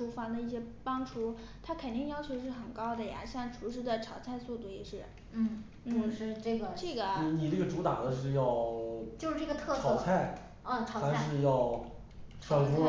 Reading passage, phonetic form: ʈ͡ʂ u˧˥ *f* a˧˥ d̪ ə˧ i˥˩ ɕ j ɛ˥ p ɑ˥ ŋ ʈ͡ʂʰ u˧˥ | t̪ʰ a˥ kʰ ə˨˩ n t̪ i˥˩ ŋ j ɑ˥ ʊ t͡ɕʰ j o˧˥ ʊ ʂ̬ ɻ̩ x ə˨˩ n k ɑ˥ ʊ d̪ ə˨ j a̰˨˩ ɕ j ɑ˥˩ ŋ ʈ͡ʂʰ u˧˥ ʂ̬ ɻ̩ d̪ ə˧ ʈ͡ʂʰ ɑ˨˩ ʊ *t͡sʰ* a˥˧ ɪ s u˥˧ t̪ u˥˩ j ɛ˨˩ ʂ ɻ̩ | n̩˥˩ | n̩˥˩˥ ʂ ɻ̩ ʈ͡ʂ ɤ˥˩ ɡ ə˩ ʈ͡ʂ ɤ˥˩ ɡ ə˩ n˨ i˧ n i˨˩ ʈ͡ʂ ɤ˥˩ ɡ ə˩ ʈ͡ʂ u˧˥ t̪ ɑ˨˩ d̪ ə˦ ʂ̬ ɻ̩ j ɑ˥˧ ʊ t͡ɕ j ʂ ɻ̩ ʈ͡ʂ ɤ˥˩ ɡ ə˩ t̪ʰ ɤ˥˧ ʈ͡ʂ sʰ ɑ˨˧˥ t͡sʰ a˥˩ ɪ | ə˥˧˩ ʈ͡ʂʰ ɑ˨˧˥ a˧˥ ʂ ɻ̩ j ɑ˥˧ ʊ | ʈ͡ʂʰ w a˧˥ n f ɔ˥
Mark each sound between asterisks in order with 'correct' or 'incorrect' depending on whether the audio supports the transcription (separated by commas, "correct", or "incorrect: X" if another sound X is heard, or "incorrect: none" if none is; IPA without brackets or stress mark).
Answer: correct, correct